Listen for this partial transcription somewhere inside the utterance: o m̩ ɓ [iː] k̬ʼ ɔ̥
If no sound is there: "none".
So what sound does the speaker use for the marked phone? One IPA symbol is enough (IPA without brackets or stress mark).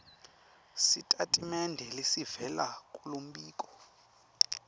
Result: iː